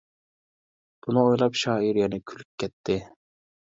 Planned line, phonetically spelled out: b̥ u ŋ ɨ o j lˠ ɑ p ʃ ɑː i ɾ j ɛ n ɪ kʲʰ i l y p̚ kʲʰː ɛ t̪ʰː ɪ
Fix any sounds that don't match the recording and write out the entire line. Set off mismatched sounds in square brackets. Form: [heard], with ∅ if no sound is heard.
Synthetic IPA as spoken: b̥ u [n] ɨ o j lˠ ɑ p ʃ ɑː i ɾ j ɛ n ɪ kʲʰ [y] l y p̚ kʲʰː ɛ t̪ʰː ɪ